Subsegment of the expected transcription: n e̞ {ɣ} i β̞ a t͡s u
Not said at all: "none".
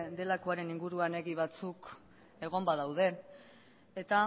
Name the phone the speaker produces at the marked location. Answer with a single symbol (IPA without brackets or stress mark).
ɣ